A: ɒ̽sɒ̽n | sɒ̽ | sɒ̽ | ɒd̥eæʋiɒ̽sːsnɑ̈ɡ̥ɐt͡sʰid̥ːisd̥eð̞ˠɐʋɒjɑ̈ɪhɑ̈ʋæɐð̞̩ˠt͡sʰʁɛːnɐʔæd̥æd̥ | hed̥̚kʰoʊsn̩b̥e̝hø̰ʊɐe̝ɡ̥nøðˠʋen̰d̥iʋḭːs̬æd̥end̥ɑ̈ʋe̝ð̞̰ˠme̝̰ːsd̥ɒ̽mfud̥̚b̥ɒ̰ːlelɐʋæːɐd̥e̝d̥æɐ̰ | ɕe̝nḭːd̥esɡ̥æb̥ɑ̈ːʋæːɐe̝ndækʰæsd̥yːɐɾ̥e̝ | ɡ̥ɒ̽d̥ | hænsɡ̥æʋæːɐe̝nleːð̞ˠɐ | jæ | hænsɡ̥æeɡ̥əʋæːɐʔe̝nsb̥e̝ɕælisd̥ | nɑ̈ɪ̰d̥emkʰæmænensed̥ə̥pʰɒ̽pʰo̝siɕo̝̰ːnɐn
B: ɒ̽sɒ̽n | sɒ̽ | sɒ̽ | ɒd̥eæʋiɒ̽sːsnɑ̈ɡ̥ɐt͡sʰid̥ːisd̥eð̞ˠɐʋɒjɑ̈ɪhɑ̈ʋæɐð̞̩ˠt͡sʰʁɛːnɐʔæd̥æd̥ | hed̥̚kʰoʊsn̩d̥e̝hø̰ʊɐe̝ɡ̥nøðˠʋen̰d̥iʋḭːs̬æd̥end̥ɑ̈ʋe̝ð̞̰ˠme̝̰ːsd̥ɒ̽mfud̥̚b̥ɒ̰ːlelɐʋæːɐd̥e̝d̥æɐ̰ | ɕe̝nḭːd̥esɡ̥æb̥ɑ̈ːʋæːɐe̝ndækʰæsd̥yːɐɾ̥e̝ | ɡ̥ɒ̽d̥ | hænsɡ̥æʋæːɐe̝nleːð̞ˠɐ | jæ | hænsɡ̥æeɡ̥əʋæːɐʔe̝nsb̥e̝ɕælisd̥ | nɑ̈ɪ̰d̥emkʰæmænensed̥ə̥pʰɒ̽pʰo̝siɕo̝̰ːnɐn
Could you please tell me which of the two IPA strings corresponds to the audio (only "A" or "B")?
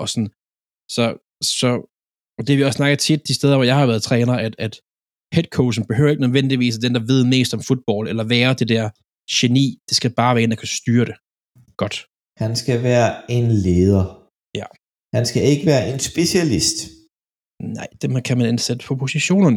A